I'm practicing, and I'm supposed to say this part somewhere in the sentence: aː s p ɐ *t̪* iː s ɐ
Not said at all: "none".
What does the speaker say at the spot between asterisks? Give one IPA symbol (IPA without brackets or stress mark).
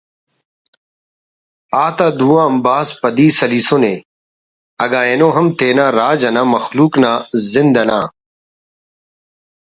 d̪